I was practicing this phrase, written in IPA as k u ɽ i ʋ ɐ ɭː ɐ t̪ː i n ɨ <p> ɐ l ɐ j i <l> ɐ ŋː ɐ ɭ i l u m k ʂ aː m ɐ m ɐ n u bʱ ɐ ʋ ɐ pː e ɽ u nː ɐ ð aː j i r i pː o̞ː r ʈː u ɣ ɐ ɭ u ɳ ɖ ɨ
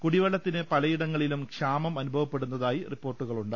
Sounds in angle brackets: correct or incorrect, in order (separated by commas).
correct, incorrect